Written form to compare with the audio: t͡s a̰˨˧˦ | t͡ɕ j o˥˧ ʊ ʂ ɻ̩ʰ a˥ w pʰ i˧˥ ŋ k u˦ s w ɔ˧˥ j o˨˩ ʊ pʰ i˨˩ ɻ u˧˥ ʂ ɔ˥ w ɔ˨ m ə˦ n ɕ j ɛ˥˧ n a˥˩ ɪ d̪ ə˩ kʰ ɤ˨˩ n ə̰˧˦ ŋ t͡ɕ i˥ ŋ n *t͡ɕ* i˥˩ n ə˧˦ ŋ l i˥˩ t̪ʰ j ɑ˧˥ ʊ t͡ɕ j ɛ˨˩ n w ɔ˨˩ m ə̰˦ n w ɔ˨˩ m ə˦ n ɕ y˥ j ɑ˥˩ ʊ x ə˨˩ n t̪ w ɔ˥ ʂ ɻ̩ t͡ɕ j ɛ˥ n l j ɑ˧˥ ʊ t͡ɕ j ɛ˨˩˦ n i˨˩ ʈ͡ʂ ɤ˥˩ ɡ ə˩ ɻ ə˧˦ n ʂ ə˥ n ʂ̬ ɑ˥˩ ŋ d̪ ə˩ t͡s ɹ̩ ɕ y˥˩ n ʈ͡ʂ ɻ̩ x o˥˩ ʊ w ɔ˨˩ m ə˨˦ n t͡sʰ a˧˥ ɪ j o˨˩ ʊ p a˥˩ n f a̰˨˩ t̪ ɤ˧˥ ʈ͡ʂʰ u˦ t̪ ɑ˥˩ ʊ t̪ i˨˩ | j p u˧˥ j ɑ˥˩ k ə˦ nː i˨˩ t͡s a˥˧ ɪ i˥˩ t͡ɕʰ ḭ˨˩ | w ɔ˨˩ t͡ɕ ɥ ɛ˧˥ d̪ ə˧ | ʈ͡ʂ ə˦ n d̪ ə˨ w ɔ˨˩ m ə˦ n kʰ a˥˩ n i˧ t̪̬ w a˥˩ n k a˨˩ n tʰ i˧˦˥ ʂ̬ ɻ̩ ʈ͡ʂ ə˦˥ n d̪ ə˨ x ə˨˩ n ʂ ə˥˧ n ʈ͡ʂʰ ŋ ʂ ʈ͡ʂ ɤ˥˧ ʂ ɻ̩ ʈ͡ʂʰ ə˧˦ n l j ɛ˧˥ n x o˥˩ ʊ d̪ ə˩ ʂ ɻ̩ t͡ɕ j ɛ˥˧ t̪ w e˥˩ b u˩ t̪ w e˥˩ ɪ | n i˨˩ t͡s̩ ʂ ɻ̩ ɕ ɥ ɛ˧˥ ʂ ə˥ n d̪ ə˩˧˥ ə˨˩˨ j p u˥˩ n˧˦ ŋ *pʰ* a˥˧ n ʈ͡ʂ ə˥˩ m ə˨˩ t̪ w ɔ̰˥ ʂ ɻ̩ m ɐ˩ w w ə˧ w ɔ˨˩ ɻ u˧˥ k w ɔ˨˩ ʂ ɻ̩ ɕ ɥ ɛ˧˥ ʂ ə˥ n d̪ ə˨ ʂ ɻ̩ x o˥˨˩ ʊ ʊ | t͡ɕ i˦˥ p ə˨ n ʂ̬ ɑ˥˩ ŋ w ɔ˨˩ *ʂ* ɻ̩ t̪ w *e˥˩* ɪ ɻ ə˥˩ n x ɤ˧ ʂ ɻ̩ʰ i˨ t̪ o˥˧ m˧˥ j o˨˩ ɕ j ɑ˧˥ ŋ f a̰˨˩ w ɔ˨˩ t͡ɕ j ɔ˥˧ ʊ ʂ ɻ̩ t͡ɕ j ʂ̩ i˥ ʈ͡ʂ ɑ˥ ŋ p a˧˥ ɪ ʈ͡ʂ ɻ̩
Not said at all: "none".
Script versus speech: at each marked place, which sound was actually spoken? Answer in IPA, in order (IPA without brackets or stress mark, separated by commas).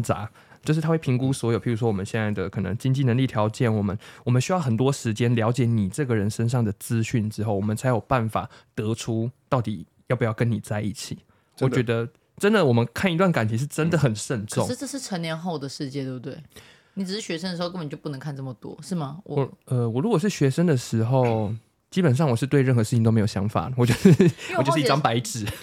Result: t͡ɕ, kʰ, ʂ, e˥